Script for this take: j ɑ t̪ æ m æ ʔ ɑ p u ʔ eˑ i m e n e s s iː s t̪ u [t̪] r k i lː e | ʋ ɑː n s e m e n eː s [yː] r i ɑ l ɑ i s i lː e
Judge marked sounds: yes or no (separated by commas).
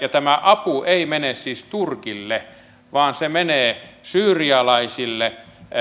no, yes